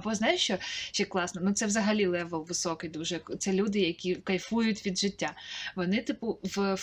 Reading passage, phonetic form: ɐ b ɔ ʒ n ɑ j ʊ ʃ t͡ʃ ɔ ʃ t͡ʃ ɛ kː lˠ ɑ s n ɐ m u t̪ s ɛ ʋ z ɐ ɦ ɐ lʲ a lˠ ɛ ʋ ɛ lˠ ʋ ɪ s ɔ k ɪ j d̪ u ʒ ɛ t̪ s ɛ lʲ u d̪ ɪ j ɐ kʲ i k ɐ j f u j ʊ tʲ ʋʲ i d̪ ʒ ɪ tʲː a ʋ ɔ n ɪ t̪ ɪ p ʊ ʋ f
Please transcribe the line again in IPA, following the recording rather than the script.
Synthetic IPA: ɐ b ɔ z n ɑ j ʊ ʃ t͡ʃ ɔ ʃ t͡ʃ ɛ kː lˠ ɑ s n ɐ n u t̪ s ɛ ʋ z ɐ ɦ ɐ lʲ i lˠ ɛ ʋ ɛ lˠ ʋ ɪ s ɔ k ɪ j d̪ u ʒ ɛ t̪ s ɛ lʲ u d̪ ɪ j ɐ kʲ i k ɐ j f u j ʊ tʲ ʋʲ i d̪ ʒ ɪ tʲː a ʋ ɔ n ɪ t̪ ɪ p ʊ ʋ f